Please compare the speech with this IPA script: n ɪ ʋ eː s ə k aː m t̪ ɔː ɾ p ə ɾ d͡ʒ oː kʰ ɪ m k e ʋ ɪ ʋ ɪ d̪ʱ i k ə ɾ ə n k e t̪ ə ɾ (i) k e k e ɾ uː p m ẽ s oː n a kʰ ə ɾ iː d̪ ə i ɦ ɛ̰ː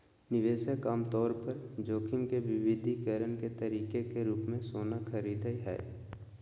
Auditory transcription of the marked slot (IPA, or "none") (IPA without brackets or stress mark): iː